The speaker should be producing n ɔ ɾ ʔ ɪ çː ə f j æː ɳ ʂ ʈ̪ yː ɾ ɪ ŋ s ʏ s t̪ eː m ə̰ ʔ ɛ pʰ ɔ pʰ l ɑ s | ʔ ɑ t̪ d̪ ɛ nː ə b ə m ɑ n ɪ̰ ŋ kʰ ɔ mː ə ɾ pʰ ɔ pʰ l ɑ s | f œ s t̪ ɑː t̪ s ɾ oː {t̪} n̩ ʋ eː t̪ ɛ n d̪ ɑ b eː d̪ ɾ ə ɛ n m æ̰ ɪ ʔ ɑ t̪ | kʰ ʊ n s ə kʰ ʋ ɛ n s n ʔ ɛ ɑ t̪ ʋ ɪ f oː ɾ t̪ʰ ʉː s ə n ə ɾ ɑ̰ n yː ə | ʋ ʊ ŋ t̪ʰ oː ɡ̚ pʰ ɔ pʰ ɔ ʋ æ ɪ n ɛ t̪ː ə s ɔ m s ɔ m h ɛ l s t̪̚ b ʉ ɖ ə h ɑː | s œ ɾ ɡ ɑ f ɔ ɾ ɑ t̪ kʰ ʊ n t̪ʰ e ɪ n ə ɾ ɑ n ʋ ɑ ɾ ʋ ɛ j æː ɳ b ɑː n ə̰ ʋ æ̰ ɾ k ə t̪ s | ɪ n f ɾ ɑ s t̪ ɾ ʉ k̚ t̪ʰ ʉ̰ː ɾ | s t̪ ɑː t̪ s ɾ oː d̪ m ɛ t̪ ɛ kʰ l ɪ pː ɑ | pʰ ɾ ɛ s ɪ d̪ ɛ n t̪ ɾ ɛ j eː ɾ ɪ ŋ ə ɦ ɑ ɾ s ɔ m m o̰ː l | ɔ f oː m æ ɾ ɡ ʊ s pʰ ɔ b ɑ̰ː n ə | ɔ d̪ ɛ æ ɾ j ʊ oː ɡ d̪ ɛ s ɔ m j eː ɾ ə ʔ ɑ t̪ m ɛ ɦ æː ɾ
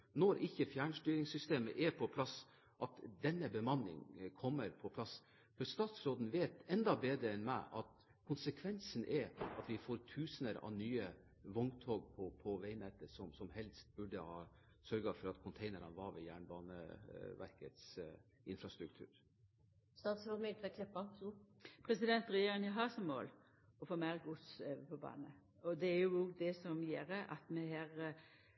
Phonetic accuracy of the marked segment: incorrect: d̪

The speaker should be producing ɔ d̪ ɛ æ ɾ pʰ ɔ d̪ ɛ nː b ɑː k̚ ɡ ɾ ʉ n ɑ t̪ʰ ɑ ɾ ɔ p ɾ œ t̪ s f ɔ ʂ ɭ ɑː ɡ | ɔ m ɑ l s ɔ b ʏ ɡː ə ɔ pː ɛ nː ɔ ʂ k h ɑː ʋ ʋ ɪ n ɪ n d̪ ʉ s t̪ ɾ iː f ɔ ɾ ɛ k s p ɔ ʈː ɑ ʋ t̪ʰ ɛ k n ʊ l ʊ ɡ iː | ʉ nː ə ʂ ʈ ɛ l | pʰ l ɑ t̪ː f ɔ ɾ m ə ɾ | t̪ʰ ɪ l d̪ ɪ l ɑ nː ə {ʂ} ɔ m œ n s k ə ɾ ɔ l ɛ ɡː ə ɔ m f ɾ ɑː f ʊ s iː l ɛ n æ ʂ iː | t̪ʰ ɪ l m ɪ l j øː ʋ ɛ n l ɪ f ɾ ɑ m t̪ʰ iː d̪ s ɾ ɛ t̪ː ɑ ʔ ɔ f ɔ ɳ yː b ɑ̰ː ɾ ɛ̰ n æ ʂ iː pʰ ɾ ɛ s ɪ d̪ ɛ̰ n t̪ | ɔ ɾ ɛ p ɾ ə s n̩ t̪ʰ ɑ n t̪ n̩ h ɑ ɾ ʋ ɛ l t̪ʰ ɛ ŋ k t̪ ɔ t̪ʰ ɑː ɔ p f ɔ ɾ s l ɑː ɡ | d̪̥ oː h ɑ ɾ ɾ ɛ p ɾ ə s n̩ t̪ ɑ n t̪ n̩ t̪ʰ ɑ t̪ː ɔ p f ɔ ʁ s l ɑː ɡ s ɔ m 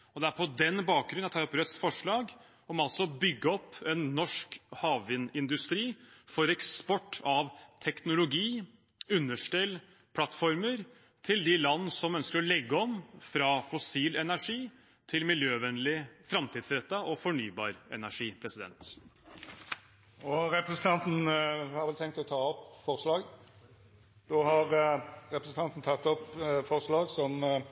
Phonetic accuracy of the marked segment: incorrect: s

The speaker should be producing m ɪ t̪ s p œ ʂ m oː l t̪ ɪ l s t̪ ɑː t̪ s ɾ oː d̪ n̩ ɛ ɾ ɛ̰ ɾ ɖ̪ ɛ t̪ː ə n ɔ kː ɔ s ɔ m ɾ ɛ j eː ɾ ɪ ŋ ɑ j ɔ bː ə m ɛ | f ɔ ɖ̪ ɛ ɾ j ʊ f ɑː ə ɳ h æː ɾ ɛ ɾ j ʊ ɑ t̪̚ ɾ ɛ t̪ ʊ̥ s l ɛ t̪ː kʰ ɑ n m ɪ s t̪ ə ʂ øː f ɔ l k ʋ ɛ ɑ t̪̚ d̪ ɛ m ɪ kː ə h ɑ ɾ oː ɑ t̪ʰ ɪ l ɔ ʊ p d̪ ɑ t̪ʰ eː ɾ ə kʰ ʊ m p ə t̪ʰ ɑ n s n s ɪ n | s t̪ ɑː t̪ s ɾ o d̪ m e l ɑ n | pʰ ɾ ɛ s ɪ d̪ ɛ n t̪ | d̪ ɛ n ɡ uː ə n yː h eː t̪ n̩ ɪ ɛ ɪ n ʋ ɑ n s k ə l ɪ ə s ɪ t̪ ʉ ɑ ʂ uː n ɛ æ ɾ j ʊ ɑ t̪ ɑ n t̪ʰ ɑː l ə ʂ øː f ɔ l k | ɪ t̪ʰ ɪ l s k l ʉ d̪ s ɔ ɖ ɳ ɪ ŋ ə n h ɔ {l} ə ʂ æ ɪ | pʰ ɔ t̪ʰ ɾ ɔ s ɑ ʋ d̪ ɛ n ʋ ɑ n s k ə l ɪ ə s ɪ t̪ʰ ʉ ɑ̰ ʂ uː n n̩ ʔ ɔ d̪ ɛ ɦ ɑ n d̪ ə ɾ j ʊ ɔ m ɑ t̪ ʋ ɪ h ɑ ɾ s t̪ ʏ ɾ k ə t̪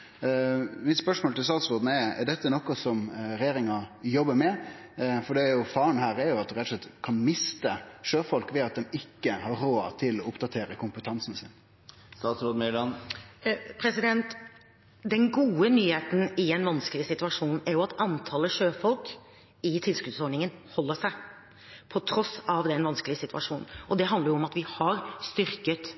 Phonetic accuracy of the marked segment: incorrect: lː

